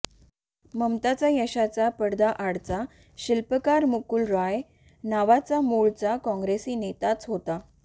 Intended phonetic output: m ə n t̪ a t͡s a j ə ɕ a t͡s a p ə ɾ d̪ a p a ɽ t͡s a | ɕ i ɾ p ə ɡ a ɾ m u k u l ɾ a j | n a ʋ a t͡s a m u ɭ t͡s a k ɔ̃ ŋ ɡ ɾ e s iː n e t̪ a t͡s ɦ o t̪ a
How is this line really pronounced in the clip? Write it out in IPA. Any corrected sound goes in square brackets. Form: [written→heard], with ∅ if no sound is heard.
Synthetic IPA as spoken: m ə [n→m] t̪ a t͡s a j ə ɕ a t͡s a p ə [ɾ→ɽ] d̪ a [p→ʔ] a ɽ t͡s a | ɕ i [ɾ→l] p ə [ɡ→k] a ɾ m u k u l ɾ a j | n a ʋ a t͡s a m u ɭ t͡s a k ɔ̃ ŋ ɡ ɾ e s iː n e t̪ a t͡s ɦ o t̪ a